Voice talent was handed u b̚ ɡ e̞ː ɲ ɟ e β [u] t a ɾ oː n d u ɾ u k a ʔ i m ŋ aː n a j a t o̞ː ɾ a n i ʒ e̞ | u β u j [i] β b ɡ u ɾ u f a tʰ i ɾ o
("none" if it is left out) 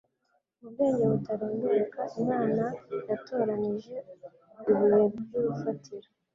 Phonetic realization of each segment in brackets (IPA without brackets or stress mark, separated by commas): u, e